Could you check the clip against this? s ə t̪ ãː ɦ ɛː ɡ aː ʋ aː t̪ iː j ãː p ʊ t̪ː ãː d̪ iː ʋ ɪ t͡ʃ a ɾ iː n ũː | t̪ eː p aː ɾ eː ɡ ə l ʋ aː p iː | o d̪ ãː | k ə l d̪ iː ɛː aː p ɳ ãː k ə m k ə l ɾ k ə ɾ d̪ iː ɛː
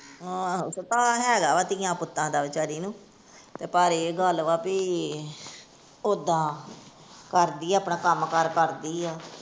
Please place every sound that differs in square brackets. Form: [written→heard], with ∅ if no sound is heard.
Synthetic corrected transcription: s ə t̪ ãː ɦ ɛː ɡ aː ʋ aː t̪ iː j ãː p ʊ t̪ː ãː d̪ [iː→aː] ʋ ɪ t͡ʃ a ɾ iː n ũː | t̪ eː p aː ɾ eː ɡ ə l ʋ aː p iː | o d̪ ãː | k ə [l→ɾ] d̪ iː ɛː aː p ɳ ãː k ə m k ə [l→∅] ɾ k ə ɾ d̪ iː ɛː